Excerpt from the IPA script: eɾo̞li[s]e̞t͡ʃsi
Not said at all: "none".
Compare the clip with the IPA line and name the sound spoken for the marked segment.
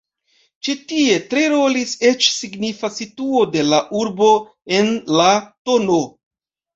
s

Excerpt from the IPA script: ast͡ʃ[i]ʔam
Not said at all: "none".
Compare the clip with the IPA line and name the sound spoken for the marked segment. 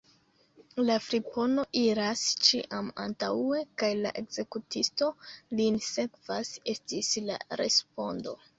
i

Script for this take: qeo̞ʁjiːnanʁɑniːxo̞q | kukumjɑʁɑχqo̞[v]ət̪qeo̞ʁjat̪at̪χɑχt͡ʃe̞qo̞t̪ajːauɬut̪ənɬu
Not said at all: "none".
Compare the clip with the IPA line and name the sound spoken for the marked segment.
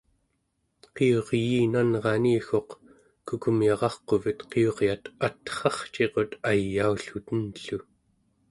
v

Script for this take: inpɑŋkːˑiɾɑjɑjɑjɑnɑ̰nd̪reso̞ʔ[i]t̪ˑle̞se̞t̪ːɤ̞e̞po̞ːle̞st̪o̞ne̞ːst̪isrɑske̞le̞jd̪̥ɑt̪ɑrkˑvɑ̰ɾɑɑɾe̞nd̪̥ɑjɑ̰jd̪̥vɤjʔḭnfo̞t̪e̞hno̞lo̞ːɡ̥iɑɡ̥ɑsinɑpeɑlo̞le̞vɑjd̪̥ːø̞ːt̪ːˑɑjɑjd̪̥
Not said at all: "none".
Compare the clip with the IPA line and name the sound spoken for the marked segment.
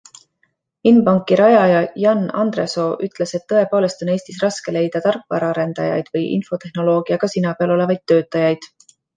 y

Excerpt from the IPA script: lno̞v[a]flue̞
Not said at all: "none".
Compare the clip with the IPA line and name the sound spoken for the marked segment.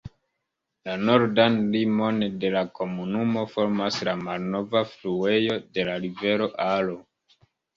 a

